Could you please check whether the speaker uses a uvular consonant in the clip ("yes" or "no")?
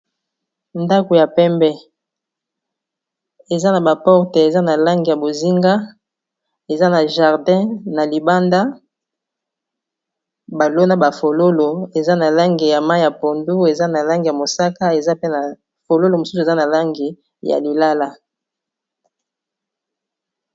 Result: yes